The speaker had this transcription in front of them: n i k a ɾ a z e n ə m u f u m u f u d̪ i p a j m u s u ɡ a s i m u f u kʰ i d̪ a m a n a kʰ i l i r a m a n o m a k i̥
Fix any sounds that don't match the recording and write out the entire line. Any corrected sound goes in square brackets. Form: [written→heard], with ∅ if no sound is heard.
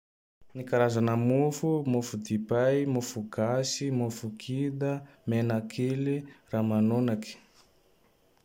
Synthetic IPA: n i k a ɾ a z [e→a] n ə m u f u m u f u d̪ i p a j m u [s→f] u ɡ a s i m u f u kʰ i d̪ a m [a→e] n a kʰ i l i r a m a n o [m→n] a k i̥